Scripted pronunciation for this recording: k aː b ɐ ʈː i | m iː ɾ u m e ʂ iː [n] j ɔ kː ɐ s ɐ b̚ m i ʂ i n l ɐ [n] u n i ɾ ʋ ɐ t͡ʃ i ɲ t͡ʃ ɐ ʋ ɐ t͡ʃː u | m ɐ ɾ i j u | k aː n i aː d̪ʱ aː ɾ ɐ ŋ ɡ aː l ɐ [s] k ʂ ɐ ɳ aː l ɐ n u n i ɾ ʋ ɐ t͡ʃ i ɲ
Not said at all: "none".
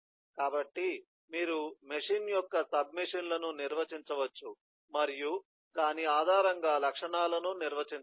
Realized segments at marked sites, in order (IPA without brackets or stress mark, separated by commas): n, n, none